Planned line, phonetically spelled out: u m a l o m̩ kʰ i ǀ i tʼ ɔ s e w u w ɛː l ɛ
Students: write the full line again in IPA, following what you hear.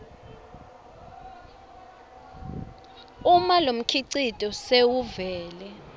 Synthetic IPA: u m a l o m̩ kʰ i ǀ i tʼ ɔ s e w u v ɛː l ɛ